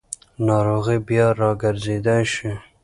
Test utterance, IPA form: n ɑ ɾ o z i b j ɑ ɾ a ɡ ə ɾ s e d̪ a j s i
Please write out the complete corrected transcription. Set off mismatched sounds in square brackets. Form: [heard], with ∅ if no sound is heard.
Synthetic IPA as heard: n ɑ ɾ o [ɣ] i b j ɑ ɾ [ɑ] ɡ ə ɾ [z] e d̪ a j [ʃ] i